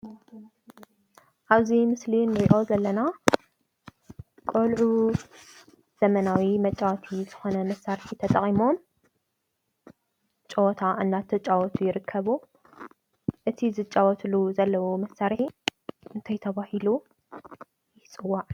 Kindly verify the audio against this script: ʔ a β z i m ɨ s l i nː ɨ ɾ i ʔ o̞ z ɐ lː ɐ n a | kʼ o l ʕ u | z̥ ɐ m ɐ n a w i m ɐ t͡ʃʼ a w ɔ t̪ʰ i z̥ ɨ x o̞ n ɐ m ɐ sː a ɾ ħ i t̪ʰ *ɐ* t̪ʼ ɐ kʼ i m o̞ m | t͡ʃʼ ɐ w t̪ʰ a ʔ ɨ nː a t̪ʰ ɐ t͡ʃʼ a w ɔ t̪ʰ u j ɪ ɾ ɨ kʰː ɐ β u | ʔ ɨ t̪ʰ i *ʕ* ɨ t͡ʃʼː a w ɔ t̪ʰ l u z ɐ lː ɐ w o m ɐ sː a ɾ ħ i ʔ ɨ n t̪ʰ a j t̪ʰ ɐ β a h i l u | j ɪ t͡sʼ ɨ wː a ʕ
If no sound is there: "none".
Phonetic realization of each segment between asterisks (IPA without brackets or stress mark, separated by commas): ɐ, z